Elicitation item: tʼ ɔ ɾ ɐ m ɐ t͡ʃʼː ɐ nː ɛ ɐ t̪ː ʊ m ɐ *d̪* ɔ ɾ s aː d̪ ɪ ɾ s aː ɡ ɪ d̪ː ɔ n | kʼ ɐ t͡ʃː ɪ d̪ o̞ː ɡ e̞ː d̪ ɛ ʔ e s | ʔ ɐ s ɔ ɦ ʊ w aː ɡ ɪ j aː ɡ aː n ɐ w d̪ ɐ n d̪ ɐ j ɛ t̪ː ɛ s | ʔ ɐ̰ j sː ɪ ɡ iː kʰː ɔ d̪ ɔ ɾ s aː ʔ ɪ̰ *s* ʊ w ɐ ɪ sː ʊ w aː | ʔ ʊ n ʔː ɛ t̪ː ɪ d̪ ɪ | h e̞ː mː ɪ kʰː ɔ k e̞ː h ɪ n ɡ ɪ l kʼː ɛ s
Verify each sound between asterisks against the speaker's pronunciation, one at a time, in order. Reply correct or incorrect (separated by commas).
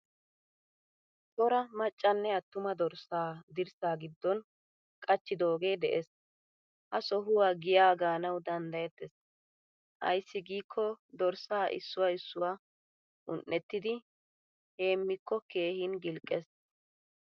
correct, incorrect